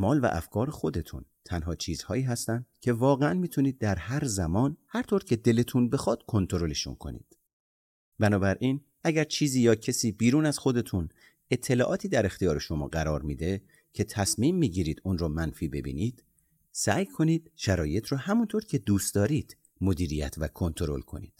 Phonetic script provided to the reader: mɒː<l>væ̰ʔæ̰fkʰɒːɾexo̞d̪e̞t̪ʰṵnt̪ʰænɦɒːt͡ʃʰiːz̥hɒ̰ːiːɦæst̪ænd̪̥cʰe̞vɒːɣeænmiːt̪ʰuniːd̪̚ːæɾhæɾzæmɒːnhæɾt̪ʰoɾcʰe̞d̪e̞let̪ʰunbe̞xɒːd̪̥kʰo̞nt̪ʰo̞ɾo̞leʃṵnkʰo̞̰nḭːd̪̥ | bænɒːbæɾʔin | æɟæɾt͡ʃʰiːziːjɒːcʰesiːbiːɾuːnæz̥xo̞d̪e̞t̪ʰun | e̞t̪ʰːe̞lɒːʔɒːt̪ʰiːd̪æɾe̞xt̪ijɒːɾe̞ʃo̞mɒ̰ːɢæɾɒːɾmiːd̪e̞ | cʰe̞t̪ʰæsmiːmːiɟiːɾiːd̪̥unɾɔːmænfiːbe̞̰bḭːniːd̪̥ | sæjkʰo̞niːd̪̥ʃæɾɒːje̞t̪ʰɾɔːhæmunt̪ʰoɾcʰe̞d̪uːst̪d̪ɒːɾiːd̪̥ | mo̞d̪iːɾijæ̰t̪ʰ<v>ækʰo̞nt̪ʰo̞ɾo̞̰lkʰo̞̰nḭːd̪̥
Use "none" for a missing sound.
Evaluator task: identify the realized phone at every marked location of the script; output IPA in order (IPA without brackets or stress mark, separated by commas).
l, v